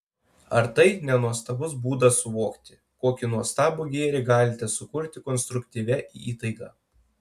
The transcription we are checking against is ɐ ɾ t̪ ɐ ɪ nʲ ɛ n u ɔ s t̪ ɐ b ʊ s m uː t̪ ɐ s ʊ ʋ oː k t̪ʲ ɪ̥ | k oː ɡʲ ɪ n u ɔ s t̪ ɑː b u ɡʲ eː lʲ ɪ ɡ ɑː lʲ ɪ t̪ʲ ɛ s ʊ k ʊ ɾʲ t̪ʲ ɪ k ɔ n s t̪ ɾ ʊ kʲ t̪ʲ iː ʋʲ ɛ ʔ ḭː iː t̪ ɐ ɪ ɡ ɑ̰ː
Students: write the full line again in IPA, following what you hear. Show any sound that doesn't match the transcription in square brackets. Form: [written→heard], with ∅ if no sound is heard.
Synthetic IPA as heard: ɐ ɾ t̪ ɐ ɪ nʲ ɛ n u ɔ s t̪ ɐ b ʊ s [m→b] uː [t̪→d̪] ɐ s ʊ ʋ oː k t̪ʲ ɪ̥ | k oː [ɡʲ→kʲ] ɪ n u ɔ s t̪ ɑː b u ɡʲ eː [lʲ→ɾʲ] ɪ ɡ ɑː lʲ ɪ t̪ʲ ɛ s ʊ k ʊ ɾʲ t̪ʲ ɪ k ɔ n s t̪ ɾ ʊ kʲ t̪ʲ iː ʋʲ ɛ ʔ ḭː iː t̪ ɐ ɪ ɡ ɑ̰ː